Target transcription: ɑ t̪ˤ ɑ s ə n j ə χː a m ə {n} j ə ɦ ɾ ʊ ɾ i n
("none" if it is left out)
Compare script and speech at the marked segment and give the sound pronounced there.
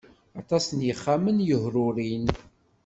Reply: n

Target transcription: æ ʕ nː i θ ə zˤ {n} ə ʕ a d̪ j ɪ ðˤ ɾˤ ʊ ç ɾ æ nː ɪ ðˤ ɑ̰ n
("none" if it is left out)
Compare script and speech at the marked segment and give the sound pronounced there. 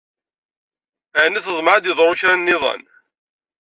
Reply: m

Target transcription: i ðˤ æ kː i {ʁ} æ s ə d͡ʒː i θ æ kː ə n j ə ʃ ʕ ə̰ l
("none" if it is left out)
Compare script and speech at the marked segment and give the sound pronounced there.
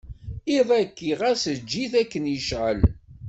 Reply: ʁ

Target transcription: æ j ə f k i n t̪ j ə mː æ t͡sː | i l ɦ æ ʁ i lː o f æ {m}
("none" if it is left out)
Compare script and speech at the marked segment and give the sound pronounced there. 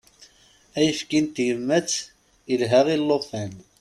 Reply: n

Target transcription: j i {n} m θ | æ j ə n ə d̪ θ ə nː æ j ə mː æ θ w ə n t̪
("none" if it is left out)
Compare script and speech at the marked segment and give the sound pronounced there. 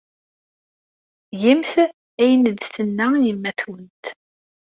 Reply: none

